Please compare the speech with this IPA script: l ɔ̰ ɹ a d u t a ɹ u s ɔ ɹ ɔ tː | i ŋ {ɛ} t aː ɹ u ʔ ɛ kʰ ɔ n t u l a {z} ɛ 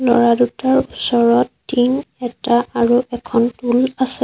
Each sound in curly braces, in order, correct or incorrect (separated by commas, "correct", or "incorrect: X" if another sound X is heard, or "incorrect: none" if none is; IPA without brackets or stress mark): correct, incorrect: s